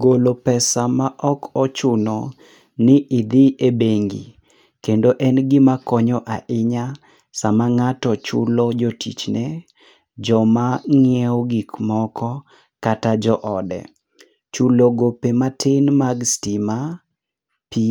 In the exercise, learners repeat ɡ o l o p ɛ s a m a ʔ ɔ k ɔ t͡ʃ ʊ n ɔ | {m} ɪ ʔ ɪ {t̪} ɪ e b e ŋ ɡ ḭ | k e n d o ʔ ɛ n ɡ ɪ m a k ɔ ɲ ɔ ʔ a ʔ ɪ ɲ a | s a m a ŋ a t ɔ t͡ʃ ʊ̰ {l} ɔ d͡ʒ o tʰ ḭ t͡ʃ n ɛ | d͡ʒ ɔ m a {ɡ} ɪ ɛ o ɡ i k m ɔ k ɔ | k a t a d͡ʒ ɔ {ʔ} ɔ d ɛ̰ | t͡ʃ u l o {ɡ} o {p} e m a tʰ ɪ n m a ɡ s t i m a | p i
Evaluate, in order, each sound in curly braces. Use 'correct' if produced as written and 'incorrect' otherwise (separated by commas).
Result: incorrect, incorrect, correct, incorrect, correct, correct, correct